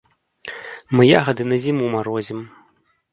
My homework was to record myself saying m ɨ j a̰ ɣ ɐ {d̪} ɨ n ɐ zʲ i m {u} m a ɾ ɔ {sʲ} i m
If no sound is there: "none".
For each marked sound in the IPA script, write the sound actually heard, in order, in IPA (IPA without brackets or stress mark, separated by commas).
d̪, u, zʲ